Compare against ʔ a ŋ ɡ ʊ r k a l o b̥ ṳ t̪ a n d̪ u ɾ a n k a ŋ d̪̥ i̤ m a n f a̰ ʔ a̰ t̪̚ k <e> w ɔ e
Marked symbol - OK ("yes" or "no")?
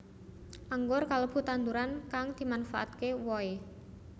yes